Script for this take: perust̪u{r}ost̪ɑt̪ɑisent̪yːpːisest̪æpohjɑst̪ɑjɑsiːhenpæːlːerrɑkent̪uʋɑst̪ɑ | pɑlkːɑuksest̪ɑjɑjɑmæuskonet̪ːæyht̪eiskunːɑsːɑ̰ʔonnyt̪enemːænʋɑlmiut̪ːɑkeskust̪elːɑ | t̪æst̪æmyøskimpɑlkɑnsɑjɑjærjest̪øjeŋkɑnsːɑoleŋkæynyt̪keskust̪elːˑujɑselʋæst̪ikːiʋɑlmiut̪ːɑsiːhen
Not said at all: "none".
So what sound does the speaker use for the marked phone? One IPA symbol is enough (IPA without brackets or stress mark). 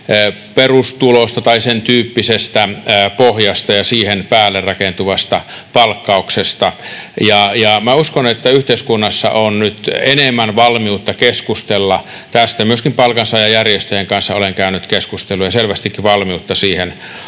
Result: l